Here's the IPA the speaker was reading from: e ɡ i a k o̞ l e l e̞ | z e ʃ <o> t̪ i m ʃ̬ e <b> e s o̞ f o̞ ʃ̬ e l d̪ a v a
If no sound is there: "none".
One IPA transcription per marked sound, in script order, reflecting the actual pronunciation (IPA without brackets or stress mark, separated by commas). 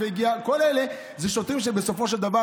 o, b